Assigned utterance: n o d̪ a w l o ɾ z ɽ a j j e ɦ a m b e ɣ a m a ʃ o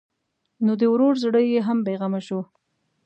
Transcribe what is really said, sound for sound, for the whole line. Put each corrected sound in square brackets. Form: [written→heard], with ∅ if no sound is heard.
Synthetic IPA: n o d̪ [a→ə] w [l→ɾ] o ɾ z ɽ [a→ə] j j e ɦ a m b e ɣ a m a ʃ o

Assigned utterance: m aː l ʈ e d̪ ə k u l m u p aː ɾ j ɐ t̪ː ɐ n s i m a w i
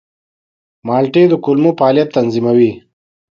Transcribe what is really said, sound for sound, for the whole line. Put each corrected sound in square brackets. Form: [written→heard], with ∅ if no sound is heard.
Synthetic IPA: m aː l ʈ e d̪ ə k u l m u p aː [ɾ→l] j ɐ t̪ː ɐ n [s→z] i m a w i

